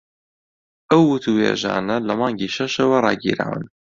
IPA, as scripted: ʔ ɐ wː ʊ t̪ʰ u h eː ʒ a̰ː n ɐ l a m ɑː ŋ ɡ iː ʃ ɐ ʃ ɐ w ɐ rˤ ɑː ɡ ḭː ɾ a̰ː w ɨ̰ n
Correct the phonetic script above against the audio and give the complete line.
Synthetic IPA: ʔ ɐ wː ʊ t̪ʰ u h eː ʒ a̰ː n ɐ l ɐ m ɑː ŋ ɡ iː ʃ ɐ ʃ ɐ w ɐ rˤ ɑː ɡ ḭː ɾ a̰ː w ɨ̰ n